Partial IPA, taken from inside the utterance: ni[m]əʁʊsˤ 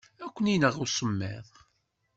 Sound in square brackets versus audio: incorrect: n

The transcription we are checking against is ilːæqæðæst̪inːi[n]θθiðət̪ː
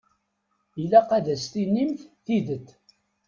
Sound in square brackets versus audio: incorrect: m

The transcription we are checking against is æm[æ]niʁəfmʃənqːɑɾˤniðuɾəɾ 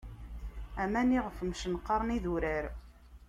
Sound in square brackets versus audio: correct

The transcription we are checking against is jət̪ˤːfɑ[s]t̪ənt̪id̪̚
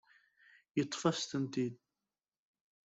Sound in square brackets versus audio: correct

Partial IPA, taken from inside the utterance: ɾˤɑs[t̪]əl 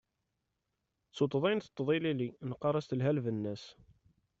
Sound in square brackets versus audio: correct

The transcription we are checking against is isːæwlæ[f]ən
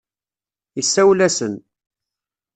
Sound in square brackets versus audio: incorrect: s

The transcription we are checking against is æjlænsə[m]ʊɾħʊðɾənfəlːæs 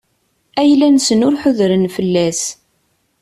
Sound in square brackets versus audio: incorrect: n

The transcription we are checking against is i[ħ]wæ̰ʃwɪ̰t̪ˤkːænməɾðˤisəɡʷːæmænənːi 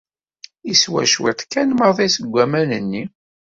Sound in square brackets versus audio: incorrect: s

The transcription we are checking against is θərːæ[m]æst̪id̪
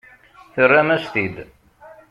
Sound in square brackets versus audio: correct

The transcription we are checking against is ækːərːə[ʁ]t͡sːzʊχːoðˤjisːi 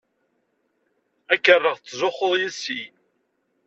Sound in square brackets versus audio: correct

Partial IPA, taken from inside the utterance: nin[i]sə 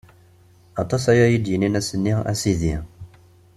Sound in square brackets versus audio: incorrect: æ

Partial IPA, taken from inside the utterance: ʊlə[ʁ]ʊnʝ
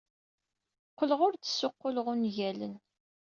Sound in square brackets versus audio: correct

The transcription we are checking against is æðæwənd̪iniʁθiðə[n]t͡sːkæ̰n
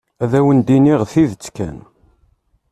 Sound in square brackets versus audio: incorrect: none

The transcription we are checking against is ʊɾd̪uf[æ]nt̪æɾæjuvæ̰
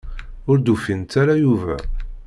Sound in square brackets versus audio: incorrect: i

